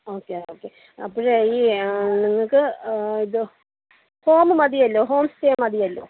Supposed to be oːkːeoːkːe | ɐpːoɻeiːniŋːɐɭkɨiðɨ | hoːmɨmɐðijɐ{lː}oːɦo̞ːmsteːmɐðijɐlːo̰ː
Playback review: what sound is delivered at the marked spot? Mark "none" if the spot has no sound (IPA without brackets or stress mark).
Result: lː